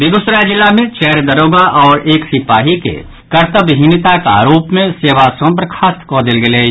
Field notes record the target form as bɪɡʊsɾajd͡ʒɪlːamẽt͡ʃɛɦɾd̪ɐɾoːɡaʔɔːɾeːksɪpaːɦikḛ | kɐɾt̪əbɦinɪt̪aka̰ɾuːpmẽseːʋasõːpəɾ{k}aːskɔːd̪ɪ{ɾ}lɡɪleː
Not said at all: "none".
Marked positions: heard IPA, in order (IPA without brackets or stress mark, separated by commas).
kʰ, none